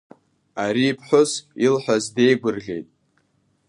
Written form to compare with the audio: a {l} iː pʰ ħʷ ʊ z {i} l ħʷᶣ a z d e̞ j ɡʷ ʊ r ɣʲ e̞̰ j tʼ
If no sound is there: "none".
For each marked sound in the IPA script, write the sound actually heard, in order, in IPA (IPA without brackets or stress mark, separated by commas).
ɾ, i